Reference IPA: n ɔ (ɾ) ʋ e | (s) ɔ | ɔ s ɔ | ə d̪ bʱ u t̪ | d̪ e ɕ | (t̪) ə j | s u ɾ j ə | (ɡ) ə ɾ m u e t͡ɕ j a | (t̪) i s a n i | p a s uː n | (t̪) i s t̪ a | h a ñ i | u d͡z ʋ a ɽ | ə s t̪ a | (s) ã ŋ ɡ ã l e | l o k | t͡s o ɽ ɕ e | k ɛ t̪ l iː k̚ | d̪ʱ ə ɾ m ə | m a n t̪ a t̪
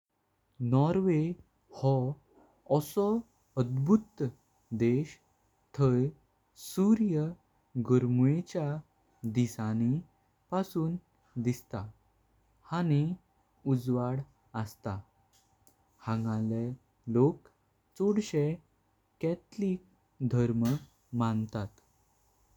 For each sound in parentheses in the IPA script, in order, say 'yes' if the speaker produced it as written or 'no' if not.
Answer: yes, no, no, yes, no, no, no

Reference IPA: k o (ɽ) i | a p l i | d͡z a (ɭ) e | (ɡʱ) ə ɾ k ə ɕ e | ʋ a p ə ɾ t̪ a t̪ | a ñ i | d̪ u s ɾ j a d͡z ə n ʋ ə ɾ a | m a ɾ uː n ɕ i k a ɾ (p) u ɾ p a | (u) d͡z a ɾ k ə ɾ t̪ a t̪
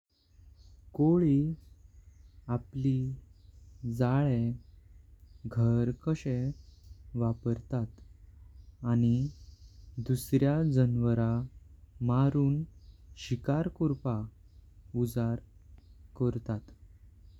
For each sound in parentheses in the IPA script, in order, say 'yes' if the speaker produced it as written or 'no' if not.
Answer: no, yes, yes, no, yes

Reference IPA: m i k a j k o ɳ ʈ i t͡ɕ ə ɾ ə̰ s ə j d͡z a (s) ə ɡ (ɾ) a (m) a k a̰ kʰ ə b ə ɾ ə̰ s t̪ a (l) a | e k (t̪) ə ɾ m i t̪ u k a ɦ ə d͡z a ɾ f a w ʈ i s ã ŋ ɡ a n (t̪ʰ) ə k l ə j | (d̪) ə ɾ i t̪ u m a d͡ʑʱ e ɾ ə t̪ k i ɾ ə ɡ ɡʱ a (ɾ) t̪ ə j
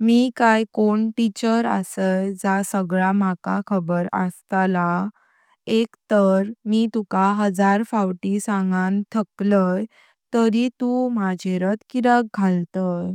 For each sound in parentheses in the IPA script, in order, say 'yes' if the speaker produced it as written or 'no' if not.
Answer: yes, no, yes, yes, yes, yes, no, no

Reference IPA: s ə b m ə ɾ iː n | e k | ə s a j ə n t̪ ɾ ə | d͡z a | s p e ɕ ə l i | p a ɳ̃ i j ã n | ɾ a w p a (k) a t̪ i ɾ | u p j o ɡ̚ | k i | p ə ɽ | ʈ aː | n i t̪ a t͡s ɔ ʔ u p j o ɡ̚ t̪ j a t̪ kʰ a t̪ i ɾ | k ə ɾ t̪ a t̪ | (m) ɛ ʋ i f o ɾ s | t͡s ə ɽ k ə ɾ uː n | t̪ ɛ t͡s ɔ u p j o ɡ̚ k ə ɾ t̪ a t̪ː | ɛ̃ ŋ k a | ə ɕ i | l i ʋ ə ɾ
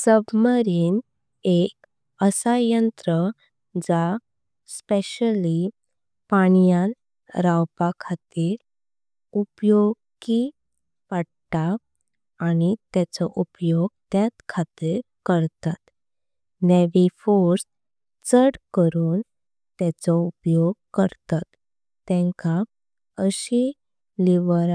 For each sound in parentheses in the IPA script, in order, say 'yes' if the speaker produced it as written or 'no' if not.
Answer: no, no

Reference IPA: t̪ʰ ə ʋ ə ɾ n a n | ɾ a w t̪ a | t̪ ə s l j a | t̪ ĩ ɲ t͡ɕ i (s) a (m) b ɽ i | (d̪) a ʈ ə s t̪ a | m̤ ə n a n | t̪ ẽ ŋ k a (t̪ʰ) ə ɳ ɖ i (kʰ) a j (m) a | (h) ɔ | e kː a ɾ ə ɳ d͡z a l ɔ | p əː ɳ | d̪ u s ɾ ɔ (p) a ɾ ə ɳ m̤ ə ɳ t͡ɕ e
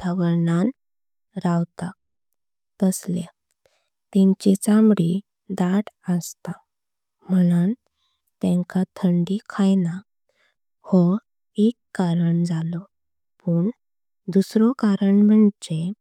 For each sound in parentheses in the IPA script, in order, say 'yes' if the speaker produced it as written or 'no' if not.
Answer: no, yes, yes, yes, yes, no, yes, no

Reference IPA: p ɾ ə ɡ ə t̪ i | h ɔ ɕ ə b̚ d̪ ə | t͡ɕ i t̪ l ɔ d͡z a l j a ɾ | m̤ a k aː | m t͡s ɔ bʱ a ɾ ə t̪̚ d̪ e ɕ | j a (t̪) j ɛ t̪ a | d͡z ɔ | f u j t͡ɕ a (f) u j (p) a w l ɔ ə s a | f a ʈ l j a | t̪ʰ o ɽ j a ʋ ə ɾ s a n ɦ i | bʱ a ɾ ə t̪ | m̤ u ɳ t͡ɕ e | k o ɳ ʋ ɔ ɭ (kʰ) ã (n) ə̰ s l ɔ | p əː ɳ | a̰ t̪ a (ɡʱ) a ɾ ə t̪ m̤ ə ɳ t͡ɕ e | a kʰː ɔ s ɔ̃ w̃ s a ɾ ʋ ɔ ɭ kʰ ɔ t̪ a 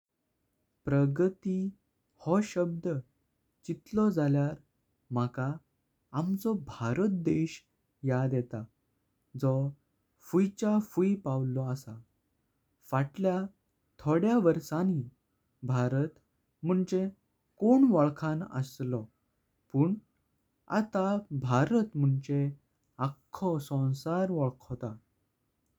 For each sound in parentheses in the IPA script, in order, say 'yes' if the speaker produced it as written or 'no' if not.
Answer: no, yes, yes, yes, yes, no

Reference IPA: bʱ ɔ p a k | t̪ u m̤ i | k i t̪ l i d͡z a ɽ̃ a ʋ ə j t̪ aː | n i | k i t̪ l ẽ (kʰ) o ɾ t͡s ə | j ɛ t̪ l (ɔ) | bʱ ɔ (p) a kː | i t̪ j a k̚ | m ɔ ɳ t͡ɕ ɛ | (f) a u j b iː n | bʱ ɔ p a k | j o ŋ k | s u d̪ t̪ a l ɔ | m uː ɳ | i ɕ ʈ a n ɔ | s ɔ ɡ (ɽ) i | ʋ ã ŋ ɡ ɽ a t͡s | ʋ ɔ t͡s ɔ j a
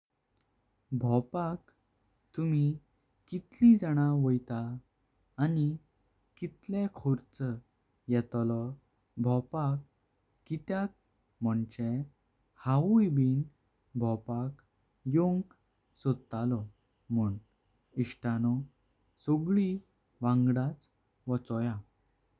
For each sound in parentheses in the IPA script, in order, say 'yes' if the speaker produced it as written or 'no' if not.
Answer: yes, yes, yes, no, no

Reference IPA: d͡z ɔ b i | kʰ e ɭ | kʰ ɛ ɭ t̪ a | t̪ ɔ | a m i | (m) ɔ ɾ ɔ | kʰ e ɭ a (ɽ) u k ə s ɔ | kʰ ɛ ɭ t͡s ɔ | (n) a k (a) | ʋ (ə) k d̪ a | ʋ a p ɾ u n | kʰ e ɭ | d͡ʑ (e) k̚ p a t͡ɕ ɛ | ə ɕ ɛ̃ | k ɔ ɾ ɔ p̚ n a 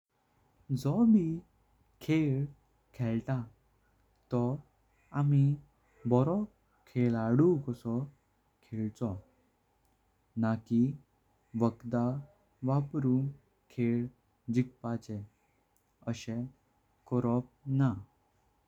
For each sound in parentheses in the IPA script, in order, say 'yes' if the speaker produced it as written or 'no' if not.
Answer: no, yes, yes, no, yes, no

